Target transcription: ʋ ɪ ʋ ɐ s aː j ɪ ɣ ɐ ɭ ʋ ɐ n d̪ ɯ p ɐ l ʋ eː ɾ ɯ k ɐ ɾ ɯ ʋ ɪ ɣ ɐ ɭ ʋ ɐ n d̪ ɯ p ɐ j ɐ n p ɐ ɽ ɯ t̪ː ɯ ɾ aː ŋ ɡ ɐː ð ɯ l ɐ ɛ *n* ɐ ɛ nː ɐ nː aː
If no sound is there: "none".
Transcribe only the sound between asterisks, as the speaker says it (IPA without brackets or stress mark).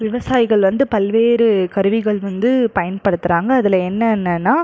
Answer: nː